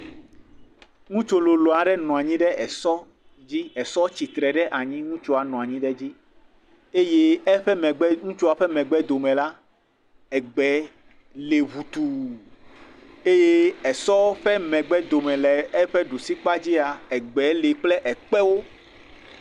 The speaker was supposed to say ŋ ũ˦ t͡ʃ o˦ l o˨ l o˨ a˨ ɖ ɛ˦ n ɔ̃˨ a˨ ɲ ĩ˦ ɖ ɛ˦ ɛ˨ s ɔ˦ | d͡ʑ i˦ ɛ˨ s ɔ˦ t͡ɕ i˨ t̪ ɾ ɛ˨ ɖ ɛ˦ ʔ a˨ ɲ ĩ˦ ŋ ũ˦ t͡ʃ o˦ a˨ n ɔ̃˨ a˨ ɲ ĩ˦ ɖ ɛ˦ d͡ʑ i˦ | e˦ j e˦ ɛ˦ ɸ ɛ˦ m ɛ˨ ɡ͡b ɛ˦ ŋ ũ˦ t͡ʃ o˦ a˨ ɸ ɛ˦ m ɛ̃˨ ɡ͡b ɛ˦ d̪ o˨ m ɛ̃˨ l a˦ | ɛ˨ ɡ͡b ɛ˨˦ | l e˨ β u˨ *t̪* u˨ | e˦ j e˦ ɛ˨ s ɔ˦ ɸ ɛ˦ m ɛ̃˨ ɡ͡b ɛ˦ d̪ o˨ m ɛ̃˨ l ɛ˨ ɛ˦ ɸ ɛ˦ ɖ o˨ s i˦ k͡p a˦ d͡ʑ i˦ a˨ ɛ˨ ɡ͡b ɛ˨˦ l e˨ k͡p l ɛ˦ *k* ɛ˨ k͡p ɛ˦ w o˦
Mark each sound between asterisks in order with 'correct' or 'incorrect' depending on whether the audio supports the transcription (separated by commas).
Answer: correct, incorrect